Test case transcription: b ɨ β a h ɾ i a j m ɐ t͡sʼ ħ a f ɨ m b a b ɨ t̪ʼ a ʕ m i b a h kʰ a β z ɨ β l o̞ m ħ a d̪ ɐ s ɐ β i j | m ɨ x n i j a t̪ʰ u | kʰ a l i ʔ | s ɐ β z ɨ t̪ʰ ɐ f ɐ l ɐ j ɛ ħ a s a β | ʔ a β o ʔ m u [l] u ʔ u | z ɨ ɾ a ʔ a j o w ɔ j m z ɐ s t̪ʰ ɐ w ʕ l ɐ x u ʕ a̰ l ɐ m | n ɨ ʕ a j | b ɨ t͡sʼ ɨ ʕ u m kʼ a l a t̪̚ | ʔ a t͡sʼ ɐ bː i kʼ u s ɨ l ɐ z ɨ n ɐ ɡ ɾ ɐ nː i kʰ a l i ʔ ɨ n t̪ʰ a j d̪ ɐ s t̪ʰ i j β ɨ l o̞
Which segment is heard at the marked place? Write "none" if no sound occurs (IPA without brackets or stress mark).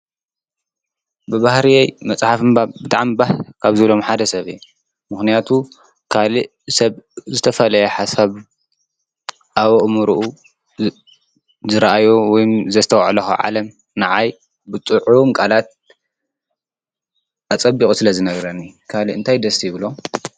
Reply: ɾ